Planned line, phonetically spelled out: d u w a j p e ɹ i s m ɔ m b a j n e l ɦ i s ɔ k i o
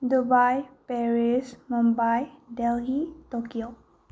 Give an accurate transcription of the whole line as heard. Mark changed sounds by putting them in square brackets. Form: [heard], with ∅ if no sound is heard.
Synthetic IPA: d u [b] a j p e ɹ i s m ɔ m b a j [d] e l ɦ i [t] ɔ k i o